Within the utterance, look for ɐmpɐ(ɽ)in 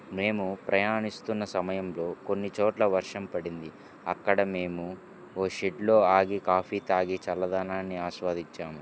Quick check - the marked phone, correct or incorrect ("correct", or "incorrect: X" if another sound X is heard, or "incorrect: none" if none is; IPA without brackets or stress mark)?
correct